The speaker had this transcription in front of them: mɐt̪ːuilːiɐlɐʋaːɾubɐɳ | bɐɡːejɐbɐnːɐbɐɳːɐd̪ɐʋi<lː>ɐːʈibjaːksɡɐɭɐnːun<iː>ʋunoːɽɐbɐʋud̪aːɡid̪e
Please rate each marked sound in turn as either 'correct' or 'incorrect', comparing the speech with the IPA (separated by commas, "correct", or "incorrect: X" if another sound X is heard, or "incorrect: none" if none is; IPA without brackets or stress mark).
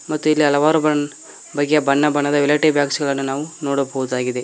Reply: incorrect: l, incorrect: aː